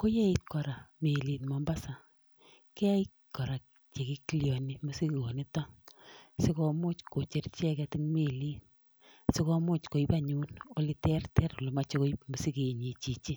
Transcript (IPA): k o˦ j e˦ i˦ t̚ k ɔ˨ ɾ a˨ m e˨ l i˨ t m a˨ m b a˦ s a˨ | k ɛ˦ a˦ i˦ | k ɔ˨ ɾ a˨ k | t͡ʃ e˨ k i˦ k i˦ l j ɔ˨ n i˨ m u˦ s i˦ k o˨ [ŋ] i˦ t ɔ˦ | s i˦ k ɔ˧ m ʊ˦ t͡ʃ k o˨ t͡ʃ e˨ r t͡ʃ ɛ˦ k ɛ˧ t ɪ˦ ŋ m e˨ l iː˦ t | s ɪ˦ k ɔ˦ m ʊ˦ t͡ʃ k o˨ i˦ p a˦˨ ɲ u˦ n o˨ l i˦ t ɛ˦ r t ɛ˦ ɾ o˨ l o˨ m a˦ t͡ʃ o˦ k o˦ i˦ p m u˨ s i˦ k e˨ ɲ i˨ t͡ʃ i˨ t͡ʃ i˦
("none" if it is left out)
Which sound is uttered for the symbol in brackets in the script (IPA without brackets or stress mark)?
n